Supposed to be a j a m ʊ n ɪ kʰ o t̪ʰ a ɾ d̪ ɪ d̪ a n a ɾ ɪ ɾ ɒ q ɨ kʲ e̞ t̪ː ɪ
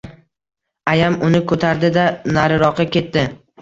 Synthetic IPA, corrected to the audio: a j a m ʊ n ɪ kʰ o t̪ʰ a ɾ d̪ ɪ d̪ a n a ɾ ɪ ɾ ɒ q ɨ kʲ e̞ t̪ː ɪ